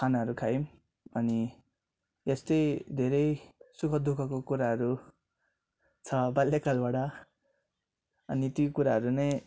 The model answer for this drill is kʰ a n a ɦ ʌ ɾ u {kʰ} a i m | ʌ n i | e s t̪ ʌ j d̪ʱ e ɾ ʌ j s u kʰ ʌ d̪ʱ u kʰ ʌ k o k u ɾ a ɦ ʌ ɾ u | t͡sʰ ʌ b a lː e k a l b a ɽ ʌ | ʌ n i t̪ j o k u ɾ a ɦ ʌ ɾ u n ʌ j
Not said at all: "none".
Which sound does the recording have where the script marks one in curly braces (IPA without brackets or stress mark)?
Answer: kʰ